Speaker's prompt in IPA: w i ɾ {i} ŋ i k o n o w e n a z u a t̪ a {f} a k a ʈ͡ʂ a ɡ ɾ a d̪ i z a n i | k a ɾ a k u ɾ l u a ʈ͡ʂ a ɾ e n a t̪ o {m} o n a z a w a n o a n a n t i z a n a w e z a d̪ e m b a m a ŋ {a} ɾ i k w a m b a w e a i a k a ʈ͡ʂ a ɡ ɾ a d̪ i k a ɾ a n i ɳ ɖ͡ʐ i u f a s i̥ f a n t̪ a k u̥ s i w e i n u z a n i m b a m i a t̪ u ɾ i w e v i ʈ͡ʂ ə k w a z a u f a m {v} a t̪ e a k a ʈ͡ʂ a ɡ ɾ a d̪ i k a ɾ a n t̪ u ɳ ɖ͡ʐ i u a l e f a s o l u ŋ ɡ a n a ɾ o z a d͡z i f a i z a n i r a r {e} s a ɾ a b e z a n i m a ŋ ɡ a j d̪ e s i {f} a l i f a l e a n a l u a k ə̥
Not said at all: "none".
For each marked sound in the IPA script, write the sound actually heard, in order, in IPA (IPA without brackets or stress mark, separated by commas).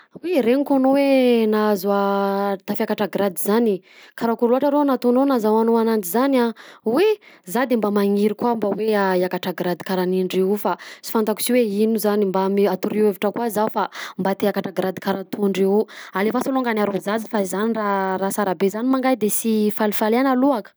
e, f, n, i, b, a, f